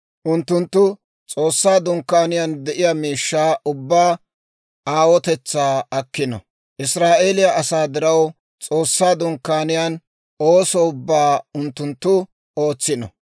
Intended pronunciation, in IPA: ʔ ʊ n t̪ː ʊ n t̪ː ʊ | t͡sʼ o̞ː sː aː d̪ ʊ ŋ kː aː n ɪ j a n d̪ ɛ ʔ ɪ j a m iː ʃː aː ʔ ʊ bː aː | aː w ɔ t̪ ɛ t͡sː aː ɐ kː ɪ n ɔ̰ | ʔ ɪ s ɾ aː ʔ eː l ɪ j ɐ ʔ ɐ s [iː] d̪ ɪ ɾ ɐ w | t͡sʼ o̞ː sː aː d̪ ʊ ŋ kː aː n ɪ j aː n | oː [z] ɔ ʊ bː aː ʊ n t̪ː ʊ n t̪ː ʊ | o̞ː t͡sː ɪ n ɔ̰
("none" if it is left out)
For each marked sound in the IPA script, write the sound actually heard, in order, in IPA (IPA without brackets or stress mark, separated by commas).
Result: aː, s